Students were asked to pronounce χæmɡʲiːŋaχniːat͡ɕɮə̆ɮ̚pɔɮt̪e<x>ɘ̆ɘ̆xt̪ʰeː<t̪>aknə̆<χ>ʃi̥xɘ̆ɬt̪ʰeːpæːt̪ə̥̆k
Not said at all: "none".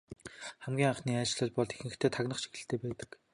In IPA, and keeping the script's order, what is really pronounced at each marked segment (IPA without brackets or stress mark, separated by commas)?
x, t̪ʰ, χ